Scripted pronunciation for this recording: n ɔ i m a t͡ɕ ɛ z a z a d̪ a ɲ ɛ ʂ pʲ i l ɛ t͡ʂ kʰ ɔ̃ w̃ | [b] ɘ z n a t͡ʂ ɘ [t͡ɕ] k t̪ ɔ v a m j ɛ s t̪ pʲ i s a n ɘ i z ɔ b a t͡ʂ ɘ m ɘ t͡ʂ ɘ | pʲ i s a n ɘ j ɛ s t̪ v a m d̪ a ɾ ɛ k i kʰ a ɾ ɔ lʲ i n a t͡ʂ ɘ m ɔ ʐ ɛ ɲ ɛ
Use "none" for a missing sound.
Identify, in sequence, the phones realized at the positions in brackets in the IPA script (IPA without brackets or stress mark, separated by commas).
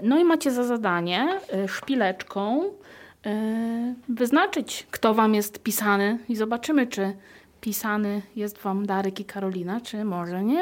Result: v, t͡ɕ